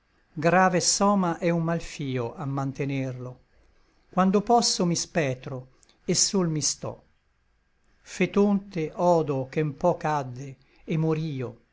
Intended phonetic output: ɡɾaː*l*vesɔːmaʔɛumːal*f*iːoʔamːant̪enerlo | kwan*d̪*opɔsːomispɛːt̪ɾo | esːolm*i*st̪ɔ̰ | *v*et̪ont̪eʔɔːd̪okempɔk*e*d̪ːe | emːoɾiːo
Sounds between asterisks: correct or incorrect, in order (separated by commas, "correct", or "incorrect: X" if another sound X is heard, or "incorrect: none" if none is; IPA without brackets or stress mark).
incorrect: none, correct, correct, correct, incorrect: f, incorrect: a